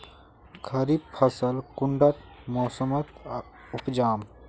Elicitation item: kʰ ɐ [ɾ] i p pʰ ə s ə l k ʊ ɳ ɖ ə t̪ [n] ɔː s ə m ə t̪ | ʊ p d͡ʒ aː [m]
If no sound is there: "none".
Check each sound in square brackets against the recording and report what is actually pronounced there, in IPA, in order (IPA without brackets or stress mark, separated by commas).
ɾ, m, m